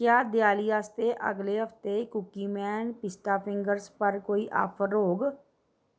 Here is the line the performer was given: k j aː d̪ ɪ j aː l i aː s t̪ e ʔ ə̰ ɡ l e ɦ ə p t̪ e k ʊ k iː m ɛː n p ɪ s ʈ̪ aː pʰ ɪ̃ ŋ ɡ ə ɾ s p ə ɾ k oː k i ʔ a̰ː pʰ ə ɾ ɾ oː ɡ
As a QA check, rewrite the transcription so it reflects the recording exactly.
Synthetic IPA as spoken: k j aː d̪ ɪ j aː l i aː s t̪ e ʔ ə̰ ɡ l e ɦ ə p t̪ e k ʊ k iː m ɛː n p ɪ s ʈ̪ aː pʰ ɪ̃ ŋ ɡ ə ɾ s p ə ɾ k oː i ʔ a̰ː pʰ ə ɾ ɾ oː ɡ